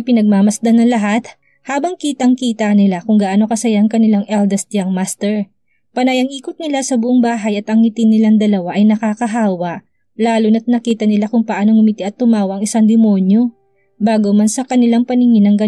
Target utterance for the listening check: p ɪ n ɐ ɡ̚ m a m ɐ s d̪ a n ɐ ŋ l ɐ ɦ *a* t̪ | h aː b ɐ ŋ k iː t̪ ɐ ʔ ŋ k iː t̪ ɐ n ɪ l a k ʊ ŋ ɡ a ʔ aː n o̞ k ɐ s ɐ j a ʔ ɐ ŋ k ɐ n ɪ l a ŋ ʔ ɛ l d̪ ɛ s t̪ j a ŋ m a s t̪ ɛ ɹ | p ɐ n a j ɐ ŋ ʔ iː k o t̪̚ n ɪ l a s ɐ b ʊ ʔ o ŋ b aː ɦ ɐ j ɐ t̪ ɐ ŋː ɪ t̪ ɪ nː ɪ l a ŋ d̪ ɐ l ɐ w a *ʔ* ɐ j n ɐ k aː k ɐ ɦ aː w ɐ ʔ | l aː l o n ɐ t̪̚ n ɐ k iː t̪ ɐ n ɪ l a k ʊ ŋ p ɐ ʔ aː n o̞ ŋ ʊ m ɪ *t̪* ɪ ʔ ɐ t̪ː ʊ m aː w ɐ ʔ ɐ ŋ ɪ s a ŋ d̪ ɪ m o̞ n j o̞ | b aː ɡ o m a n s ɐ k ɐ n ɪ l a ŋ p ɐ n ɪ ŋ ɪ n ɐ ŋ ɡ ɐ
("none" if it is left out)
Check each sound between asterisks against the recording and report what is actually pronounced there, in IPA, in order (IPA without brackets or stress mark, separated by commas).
a, ʔ, t̪